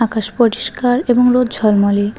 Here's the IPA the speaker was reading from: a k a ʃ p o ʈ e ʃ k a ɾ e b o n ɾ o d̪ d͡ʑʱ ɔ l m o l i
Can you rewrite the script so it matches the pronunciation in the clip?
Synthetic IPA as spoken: a k a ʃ p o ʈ i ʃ k a ɾ e b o ŋ ɾ o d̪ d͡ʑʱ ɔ l m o l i